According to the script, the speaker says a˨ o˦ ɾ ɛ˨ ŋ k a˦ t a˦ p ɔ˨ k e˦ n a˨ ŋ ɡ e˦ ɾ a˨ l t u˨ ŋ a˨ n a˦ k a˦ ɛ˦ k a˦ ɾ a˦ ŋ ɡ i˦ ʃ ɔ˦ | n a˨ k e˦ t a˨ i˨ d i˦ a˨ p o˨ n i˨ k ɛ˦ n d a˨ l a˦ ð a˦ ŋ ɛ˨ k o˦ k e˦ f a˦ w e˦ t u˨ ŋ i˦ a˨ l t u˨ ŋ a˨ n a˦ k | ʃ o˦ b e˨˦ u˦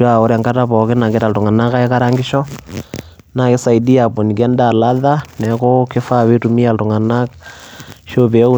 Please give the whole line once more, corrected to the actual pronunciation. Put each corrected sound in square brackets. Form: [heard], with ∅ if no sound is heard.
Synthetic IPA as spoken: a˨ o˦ ɾ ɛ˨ ŋ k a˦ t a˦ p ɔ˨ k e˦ n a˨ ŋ ɡ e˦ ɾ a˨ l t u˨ ŋ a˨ n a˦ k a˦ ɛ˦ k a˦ ɾ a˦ ŋ ɡ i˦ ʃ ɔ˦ | n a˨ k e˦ [s] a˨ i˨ d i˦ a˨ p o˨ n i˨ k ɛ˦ n d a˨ l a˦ ð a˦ [n] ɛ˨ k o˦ k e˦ f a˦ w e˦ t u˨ [m] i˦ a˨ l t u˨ ŋ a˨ n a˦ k | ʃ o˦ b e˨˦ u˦